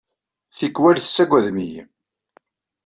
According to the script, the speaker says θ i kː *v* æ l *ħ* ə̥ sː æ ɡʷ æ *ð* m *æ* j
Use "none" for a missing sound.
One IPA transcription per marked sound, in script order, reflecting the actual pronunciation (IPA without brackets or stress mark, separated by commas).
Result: w, θ, ð, i